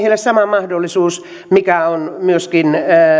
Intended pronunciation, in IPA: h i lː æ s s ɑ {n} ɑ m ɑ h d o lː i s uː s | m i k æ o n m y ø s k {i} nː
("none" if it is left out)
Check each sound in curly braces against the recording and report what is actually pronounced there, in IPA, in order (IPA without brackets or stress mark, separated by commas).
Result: m, i